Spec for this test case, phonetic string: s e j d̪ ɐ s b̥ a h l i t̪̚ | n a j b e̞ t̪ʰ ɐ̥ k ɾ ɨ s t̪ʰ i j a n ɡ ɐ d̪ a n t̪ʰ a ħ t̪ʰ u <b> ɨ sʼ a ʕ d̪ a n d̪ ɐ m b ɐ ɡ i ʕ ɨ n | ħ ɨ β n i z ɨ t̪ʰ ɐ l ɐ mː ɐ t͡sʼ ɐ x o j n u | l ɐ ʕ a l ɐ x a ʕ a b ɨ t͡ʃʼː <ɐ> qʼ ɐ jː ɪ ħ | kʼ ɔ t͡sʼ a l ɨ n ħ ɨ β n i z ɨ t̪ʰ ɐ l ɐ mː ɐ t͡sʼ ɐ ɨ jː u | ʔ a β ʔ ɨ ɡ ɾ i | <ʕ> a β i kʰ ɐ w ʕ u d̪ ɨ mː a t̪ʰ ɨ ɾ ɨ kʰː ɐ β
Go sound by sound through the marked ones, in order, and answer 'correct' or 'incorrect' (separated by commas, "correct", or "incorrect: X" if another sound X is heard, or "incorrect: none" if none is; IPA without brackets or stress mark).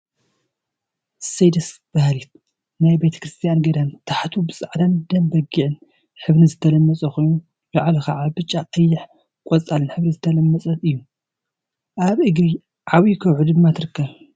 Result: correct, incorrect: a, correct